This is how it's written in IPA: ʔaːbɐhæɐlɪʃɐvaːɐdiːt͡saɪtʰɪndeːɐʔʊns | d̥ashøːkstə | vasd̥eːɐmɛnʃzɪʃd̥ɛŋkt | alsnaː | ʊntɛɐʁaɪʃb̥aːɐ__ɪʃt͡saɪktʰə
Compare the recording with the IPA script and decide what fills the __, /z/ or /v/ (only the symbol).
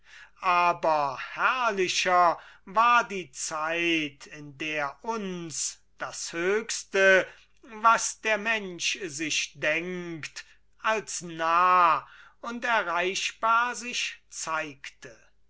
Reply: z